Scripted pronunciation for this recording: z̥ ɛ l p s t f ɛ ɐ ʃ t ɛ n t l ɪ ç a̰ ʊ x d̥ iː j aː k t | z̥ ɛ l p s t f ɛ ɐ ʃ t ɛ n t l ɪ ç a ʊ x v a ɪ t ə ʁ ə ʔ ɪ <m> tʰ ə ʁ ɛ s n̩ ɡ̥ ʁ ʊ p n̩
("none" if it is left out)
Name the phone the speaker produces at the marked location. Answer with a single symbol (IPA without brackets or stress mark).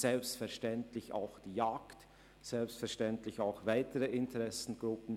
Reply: n